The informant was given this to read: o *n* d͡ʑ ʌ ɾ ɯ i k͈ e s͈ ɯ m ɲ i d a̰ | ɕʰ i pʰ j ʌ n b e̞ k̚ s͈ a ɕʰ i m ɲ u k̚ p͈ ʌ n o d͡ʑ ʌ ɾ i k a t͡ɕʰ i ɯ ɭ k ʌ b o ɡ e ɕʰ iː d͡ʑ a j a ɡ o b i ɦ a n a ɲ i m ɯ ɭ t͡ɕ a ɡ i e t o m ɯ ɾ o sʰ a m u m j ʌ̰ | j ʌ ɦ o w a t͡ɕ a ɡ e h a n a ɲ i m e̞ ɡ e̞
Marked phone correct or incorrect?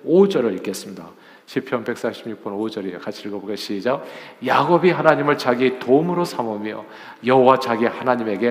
incorrect